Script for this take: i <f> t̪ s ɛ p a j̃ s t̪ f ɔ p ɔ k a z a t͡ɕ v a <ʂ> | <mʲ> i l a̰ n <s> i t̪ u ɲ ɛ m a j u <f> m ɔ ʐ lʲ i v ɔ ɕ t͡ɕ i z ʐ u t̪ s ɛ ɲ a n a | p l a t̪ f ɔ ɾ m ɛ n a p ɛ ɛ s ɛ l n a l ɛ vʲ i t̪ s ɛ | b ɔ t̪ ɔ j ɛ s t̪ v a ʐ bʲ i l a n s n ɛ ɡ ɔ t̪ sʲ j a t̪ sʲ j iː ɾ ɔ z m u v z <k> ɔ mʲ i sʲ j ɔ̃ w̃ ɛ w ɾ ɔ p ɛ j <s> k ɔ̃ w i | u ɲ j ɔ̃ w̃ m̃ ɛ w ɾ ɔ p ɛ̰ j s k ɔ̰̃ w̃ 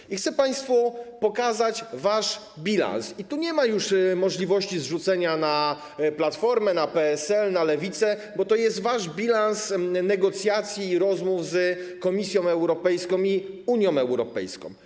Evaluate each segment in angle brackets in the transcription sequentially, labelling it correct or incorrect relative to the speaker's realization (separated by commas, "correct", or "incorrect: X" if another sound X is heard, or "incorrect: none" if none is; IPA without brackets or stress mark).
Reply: incorrect: x, correct, incorrect: bʲ, correct, incorrect: ʂ, correct, correct